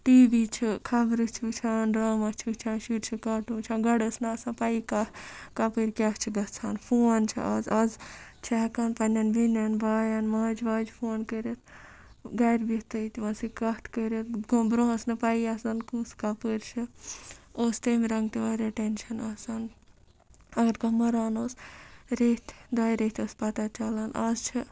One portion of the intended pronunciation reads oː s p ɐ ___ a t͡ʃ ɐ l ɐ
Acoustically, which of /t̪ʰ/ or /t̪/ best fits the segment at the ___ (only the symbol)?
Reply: t̪